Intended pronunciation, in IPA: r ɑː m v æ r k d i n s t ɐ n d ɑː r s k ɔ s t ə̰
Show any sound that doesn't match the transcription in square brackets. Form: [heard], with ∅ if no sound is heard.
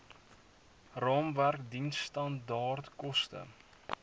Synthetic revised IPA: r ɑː m v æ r k d i n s t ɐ n d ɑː r [t] k ɔ s t ə̰